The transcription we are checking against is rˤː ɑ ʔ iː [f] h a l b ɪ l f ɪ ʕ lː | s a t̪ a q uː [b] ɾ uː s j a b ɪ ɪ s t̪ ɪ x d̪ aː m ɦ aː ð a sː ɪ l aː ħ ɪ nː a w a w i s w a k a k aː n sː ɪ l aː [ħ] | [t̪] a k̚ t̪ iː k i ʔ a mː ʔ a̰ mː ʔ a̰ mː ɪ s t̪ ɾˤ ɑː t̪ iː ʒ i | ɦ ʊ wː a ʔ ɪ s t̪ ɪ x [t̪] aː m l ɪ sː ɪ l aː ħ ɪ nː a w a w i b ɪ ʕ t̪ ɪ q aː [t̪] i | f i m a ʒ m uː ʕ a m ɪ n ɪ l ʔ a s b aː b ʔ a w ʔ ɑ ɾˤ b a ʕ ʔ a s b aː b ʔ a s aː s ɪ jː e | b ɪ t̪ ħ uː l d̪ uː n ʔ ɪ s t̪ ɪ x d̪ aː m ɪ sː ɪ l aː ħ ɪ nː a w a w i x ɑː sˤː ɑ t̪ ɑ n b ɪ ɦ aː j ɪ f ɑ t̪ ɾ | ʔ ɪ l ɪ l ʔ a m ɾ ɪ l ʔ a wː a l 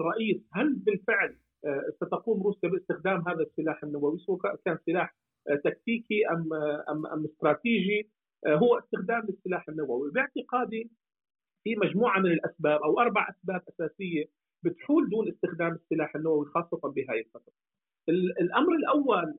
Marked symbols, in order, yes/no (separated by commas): no, no, yes, yes, no, no